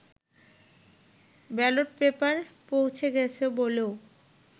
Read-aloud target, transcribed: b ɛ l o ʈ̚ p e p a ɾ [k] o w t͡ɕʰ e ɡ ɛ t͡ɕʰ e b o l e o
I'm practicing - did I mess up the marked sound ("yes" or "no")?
yes